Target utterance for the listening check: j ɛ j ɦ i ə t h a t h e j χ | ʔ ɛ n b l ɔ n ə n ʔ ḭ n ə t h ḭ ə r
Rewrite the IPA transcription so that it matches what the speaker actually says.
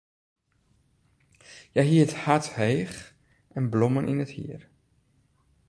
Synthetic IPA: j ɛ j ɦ i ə t h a t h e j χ | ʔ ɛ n b l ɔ m ə n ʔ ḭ n ə t h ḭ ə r